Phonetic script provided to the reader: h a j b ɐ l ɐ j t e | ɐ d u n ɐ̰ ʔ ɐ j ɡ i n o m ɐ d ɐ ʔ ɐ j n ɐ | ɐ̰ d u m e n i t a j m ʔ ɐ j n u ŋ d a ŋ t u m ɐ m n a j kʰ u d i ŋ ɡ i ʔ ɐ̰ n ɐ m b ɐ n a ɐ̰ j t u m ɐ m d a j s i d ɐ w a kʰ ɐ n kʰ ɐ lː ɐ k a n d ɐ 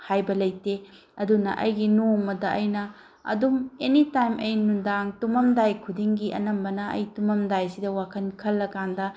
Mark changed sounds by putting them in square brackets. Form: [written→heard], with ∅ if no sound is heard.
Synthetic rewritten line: h a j b ɐ l ɐ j t e | ɐ d u n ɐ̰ ʔ ɐ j ɡ i n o m ɐ d ɐ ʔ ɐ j n ɐ | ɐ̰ d u m e n i t a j m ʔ ɐ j n u [ŋ→n] d a ŋ t u m ɐ m [n→d] a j kʰ u d i ŋ ɡ i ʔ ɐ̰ n ɐ m b ɐ n [a→ɐ] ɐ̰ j t u m ɐ m d a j s i d ɐ w a kʰ ɐ n kʰ ɐ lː ɐ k a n d ɐ